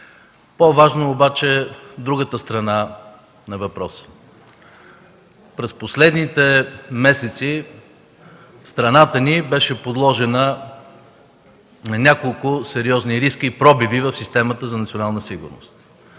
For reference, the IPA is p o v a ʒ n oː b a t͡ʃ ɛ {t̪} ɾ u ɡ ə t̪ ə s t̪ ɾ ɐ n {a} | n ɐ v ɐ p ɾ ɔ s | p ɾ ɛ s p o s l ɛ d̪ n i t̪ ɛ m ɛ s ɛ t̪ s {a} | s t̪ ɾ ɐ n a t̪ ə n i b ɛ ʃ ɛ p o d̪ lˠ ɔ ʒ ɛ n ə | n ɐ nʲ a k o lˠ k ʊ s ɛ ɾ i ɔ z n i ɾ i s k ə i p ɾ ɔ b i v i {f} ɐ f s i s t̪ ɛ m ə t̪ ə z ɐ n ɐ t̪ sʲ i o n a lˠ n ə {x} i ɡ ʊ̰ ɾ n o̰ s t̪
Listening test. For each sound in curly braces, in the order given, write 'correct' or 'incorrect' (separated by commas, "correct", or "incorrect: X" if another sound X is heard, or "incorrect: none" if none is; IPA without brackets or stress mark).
incorrect: d̪, correct, incorrect: i, incorrect: v, incorrect: s